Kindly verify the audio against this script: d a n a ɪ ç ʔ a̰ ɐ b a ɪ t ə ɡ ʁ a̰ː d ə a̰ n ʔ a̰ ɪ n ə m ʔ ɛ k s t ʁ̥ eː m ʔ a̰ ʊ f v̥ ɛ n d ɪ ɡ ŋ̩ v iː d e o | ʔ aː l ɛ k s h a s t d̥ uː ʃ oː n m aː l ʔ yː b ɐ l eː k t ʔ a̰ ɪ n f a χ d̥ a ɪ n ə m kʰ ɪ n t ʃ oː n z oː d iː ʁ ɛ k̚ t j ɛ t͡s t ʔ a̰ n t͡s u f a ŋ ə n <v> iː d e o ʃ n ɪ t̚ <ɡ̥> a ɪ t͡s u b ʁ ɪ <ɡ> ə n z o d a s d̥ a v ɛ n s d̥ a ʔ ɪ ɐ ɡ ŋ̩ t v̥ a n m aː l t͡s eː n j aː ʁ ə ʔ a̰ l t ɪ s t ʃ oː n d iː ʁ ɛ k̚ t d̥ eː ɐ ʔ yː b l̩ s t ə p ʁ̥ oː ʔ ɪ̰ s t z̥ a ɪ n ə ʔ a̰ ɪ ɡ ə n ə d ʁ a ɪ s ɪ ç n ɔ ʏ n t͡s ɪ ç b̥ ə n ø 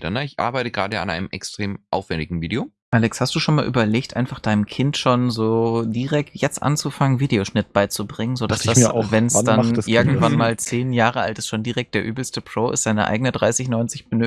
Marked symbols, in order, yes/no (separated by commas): yes, no, no